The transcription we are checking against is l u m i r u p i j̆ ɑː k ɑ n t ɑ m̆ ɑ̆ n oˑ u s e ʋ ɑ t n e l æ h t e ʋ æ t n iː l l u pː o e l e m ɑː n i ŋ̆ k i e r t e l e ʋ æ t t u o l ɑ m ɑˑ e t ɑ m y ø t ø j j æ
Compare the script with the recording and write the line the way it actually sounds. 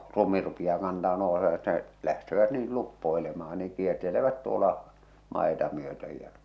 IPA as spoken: l u m i r u p i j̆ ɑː k ɑ n t ɑ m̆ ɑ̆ n oˑ u s e ʋ ɑ t n e l æ h t e ʋ æ t n iː l l u pː o e l e m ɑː n i ŋ̆ k i e r t e l e ʋ æ t t u o l ɑ m ɑˑ e t ɑ m y ø t ø j j æ